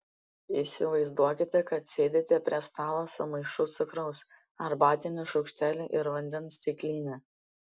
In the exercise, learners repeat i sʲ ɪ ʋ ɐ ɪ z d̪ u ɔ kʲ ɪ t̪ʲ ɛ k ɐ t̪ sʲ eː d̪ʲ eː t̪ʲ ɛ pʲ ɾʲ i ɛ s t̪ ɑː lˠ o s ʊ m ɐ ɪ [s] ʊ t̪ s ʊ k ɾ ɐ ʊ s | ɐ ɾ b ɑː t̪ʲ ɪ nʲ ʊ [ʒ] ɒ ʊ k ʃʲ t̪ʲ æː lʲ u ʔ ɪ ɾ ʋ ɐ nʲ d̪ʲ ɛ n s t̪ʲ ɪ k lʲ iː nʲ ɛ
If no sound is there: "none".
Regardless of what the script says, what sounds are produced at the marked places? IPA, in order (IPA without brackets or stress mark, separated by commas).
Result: ʃ, ʃ